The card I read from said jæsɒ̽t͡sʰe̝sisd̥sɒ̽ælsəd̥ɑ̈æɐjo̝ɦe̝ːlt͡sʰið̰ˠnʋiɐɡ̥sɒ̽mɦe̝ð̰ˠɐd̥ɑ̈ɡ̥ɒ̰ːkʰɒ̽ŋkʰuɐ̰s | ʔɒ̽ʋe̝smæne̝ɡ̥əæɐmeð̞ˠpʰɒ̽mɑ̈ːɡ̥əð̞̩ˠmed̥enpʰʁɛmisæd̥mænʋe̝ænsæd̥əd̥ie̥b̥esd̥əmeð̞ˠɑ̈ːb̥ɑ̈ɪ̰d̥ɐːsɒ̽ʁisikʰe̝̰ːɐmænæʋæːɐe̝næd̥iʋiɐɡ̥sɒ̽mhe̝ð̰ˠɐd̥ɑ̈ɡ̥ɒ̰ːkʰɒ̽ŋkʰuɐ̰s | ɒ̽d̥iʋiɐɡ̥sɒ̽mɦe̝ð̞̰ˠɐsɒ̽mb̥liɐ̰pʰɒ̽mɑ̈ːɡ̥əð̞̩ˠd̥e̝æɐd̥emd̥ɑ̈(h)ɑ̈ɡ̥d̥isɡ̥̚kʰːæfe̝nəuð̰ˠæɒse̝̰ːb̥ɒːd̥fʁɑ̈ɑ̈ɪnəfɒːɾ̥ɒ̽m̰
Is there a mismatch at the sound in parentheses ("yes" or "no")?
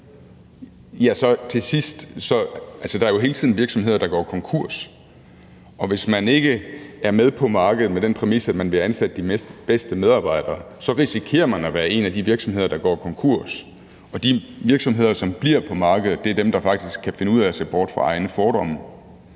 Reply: yes